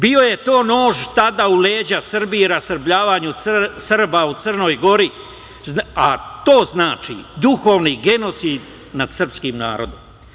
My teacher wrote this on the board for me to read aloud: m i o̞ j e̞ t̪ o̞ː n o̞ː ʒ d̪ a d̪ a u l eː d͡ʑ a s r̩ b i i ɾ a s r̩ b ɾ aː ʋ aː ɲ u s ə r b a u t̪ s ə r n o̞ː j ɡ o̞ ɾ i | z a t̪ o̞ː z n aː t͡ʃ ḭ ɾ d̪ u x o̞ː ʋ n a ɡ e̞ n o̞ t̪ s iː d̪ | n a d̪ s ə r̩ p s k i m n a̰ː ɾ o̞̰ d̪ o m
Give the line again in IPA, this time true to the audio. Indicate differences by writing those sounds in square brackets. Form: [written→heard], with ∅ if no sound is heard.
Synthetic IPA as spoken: [m→b] i o̞ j e̞ t̪ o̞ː n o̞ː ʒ [d̪→t̪] a d̪ a u l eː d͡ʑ a s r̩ b i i ɾ a s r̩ b [ɾ→ʎ] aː ʋ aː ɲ u s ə r b a u t̪ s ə r n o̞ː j ɡ o̞ ɾ i | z a t̪ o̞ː z n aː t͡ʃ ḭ [ɾ→∅] d̪ u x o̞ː ʋ n [a→i] ɡ e̞ n o̞ t̪ s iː d̪ | n a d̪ s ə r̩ p s k i m n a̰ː ɾ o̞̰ d̪ o m

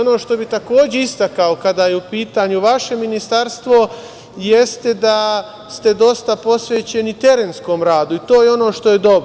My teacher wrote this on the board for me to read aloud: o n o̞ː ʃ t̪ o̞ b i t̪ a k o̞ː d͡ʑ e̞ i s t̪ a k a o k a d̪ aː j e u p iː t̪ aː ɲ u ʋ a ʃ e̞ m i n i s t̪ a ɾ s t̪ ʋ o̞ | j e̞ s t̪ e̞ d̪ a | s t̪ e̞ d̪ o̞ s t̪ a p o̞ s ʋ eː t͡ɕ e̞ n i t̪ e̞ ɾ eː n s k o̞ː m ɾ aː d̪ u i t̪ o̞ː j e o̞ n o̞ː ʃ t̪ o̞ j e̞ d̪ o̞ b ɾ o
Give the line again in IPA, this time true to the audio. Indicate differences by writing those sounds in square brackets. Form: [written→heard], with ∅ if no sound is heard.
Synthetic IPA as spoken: o n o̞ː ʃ t̪ o̞ b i t̪ a k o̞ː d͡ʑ e̞ i s t̪ a k a o k a d̪ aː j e u p iː t̪ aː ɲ u ʋ a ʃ e̞ m i n i s t̪ a ɾ s t̪ ʋ o̞ | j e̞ s t̪ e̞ d̪ a | s t̪ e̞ d̪ o̞ s t̪ a p o̞ s ʋ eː t͡ɕ e̞ n i t̪ e̞ ɾ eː n s k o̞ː m ɾ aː d̪ u i t̪ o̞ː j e o̞ n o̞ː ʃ t̪ o̞ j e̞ d̪ o̞ b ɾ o

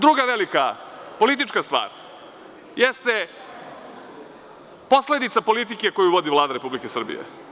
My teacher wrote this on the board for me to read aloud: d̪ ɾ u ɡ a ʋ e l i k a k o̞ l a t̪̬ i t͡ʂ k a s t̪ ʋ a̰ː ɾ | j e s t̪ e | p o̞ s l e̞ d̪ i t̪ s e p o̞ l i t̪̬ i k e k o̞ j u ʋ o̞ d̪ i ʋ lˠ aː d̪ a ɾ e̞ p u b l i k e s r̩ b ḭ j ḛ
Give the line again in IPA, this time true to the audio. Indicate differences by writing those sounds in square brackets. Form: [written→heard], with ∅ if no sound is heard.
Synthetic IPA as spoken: d̪ ɾ u ɡ a ʋ e l i k a [k→p] o̞ l [a→i] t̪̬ i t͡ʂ k a s t̪ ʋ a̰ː ɾ | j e s t̪ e | p o̞ s l e̞ d̪ i t̪ s [e→a] p o̞ l i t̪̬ i k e k o̞ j u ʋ o̞ d̪ i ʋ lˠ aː d̪ a ɾ e̞ p u b l i k e s r̩ b ḭ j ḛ

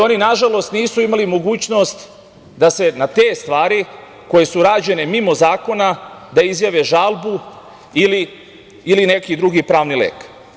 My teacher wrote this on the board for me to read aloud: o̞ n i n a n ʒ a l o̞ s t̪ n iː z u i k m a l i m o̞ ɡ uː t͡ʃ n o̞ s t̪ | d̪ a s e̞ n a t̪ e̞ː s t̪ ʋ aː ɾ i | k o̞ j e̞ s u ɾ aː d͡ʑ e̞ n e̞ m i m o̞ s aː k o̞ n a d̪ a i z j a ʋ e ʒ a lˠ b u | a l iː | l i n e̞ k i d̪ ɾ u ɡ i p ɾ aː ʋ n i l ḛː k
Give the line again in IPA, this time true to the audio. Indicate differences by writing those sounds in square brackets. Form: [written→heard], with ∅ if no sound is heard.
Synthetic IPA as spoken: o̞ n i n a [n→∅] ʒ a l o̞ s t̪ n iː [z→s] u i [k→∅] m a l i m o̞ ɡ uː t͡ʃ n o̞ s t̪ | d̪ a s e̞ n a t̪ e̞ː s t̪ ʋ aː ɾ i | k o̞ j e̞ s u ɾ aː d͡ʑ e̞ n e̞ m i m o̞ [s→z] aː k o̞ n a d̪ a i z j a ʋ e ʒ a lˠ b u | [a→i] l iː | l i n e̞ k i d̪ ɾ u ɡ i p ɾ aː ʋ n i l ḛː k

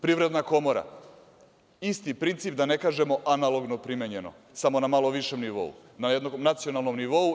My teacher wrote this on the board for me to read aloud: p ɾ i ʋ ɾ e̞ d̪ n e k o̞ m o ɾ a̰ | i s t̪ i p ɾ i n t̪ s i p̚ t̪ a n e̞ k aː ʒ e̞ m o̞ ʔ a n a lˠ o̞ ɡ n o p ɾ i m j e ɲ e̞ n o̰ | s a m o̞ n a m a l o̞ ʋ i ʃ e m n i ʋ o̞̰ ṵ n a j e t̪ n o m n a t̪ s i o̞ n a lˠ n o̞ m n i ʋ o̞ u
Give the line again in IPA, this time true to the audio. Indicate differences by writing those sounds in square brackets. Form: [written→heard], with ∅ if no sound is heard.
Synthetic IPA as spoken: p ɾ i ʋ ɾ e̞ d̪ n [e→a] k o̞ m o ɾ a̰ | i s t̪ i p ɾ i n t̪ s i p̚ [t̪→d̪] a n e̞ k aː ʒ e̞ m o̞ ʔ a n a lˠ o̞ ɡ n o p ɾ i m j e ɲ e̞ n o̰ | s a m o̞ n a m a l o̞ ʋ i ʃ e m n i ʋ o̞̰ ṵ n a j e [t̪→d̪] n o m n a t̪ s i o̞ n a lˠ n o̞ m n i ʋ o̞ u

